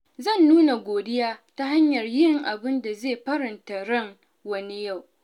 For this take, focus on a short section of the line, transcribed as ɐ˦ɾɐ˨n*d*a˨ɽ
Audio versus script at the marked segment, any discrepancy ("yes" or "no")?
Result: yes